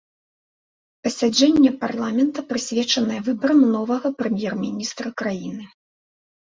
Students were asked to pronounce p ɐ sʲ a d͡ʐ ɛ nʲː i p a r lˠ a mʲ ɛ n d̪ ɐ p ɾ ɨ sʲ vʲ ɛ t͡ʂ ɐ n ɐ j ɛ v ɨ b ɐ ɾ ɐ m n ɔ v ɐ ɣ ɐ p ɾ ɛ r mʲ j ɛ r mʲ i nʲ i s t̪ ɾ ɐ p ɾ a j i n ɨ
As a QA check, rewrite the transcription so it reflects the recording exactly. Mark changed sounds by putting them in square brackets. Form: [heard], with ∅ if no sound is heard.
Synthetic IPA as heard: p ɐ sʲ a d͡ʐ ɛ nʲː [ɛ] p a r lˠ a mʲ ɛ n [t̪] ɐ p ɾ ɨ sʲ vʲ ɛ t͡ʂ ɐ n ɐ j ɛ v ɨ b ɐ ɾ ɐ m n ɔ v ɐ ɣ ɐ p ɾ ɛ [∅] mʲ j ɛ r mʲ i nʲ i s t̪ ɾ ɐ [k] ɾ a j i n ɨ